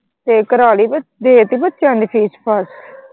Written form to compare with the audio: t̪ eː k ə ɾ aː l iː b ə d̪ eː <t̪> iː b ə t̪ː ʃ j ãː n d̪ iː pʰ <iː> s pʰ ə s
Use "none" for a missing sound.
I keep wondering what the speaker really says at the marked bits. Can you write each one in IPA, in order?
t̪, iː

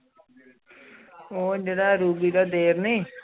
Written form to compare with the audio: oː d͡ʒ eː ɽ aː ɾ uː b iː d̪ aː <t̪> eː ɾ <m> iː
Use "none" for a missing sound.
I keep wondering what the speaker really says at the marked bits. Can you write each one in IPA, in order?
d̪, n

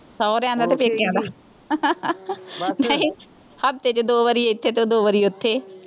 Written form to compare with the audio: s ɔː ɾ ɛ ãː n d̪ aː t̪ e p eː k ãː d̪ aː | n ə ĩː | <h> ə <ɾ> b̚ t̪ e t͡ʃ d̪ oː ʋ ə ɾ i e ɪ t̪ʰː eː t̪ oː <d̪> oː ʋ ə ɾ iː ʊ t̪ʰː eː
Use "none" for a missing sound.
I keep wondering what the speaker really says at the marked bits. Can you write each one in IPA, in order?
h, none, d̪

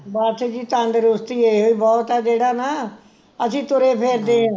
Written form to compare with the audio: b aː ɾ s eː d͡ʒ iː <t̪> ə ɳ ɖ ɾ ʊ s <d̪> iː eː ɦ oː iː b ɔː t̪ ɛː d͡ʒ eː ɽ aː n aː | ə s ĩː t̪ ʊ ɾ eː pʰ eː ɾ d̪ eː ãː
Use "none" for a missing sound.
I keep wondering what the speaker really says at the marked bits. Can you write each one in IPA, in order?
t̪, t̪

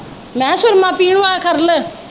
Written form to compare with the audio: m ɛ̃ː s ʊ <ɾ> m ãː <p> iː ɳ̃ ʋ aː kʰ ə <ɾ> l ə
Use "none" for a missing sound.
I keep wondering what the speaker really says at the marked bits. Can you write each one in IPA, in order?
ɾ, p, ɾ

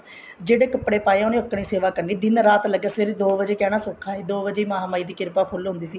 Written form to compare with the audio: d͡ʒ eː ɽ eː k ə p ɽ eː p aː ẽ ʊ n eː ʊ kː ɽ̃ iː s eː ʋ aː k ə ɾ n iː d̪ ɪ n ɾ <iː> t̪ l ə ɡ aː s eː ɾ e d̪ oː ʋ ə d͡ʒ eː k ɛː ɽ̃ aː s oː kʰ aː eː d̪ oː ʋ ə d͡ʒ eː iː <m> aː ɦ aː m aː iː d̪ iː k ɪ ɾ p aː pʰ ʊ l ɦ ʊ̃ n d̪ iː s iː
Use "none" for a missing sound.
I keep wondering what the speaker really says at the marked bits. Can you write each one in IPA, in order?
aː, m

